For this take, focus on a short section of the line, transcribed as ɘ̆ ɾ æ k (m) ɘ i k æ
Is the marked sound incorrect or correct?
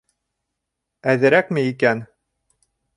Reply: correct